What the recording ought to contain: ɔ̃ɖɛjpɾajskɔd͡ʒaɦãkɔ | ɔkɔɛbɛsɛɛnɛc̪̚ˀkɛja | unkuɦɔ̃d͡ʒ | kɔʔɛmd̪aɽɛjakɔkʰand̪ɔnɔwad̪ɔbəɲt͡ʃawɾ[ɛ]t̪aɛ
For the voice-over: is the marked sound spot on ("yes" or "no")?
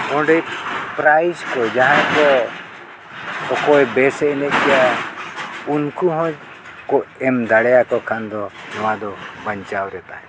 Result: yes